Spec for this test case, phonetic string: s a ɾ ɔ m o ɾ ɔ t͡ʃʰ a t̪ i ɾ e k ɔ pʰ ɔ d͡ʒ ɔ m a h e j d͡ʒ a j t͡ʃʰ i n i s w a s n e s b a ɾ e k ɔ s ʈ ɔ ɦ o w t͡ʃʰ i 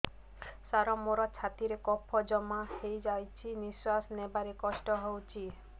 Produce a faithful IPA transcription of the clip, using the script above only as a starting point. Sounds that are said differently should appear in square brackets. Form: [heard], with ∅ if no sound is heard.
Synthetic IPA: s a ɾ ɔ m o ɾ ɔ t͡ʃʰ a t̪ i ɾ e k ɔ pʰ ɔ d͡ʒ ɔ m a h e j d͡ʒ a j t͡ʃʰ i n i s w a s n e [∅] b a ɾ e k ɔ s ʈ ɔ ɦ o w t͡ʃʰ i